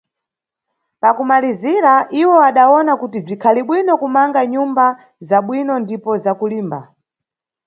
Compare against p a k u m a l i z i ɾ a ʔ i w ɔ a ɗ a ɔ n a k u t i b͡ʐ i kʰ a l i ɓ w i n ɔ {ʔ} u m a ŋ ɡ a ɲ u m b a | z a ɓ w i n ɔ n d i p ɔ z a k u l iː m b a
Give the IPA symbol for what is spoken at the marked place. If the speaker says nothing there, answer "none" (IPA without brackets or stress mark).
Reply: k